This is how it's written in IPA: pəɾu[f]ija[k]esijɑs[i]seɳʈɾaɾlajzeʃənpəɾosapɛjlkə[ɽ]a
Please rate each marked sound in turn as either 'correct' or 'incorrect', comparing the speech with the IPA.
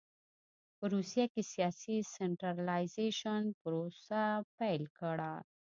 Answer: incorrect, correct, correct, correct

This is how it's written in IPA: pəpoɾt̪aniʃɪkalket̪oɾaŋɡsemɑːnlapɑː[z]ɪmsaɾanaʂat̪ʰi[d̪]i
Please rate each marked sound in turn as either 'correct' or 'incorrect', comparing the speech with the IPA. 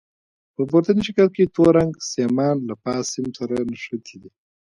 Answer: incorrect, correct

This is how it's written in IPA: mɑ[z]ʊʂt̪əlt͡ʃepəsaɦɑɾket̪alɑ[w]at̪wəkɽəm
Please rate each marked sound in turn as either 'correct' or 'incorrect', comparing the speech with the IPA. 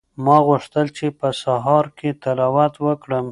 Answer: incorrect, correct

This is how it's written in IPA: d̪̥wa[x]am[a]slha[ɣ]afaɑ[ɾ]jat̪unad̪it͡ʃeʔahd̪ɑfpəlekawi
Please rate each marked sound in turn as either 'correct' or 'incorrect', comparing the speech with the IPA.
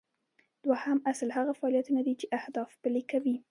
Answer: incorrect, correct, correct, incorrect

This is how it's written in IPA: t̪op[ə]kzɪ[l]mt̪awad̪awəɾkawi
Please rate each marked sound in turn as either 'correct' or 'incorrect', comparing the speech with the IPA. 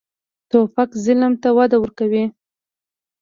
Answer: incorrect, correct

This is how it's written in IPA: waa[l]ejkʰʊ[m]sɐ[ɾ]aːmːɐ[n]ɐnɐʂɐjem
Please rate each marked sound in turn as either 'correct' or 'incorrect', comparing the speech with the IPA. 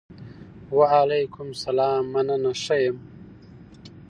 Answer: correct, correct, incorrect, correct

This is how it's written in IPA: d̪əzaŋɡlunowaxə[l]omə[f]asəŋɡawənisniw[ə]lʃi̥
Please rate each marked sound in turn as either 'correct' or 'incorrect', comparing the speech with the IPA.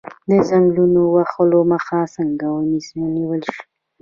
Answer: correct, incorrect, correct

